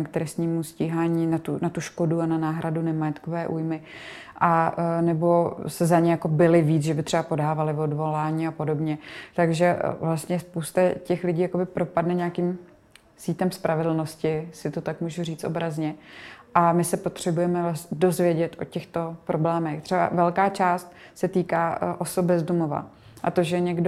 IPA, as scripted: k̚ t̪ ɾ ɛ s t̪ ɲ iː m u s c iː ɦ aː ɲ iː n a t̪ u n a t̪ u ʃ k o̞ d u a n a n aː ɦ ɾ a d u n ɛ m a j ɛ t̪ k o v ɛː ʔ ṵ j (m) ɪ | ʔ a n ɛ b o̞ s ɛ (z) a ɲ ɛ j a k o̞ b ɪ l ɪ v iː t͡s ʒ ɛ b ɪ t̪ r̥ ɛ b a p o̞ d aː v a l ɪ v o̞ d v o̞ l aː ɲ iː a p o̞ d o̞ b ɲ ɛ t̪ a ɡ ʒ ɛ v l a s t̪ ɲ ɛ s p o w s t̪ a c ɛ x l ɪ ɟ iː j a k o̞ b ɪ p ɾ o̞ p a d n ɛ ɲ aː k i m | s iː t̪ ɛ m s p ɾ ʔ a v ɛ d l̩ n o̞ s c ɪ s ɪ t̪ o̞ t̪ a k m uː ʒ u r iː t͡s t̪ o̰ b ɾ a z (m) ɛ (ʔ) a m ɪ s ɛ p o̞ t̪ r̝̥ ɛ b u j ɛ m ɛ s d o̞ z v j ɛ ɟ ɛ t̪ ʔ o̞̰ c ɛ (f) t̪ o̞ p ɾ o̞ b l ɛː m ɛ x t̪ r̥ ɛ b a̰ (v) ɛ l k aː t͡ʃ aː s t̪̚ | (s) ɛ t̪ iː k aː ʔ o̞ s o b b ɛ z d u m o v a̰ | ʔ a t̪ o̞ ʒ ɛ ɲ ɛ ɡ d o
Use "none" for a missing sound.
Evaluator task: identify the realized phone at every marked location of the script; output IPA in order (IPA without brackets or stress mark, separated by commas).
m, z, ɲ, ʔ, x, v, s